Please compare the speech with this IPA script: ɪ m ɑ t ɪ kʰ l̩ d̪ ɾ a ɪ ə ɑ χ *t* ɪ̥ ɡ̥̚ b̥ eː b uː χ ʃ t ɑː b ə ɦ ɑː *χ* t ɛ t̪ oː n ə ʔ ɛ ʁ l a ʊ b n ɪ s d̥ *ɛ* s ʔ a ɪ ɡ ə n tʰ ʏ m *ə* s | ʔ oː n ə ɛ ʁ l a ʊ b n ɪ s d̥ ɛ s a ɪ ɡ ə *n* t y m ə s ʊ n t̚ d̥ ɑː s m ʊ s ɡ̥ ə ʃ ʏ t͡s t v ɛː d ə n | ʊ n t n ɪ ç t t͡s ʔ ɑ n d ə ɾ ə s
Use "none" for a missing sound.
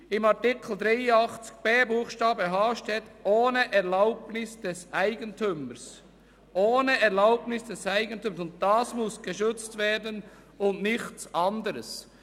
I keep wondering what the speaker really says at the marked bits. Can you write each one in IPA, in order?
t͡s, ʃ, ɛ, ə, n

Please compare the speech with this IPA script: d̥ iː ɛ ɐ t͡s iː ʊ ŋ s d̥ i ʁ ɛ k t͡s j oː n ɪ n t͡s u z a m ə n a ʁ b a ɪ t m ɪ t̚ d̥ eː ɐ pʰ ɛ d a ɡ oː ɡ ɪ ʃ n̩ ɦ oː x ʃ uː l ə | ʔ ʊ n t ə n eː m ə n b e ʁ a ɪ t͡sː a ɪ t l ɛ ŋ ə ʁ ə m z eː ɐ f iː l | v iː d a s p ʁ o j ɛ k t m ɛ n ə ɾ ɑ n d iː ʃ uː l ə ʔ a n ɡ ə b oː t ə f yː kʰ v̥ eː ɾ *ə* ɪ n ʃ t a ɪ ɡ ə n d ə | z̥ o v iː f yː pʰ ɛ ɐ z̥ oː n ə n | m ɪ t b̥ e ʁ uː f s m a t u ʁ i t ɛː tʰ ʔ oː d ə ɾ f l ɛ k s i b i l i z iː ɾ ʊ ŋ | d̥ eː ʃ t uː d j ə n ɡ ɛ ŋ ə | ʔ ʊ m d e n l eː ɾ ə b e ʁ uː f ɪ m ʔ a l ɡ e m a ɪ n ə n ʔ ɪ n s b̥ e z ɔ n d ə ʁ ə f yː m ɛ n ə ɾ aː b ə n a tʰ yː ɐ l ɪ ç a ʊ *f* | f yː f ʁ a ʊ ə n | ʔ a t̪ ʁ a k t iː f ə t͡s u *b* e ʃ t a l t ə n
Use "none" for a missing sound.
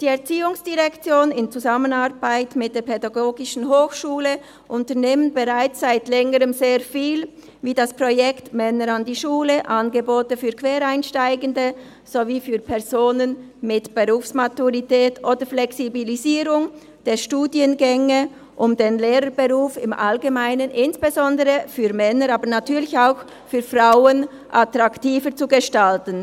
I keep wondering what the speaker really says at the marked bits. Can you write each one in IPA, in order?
a, x, ɡ

